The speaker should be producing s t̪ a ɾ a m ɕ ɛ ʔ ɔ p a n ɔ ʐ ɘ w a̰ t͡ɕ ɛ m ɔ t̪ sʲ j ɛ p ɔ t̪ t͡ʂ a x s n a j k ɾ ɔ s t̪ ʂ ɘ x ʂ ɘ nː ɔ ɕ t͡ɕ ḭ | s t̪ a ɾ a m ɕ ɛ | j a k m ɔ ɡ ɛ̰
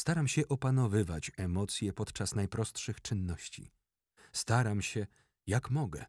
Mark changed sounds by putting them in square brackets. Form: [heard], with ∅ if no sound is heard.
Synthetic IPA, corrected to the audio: s t̪ a ɾ a m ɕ ɛ ʔ ɔ p a n ɔ [v] ɘ [v] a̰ t͡ɕ ɛ m ɔ t̪ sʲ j ɛ p ɔ t̪ t͡ʂ a [∅] s n a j [p] ɾ ɔ s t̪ ʂ ɘ x [t͡ʂ] ɘ nː ɔ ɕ t͡ɕ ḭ | s t̪ a ɾ a m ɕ ɛ | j a k m ɔ ɡ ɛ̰